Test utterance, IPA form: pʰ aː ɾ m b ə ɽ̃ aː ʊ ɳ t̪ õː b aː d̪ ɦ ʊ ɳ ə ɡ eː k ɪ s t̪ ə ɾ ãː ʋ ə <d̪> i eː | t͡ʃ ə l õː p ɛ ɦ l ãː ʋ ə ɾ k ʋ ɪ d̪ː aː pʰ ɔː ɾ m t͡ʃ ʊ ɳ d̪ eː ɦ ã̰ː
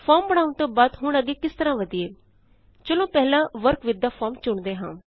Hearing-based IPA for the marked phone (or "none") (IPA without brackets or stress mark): d̪